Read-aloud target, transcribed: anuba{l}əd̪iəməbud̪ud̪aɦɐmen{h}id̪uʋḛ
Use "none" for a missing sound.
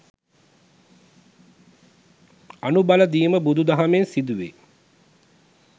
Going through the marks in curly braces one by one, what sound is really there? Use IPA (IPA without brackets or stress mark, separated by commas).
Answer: l, s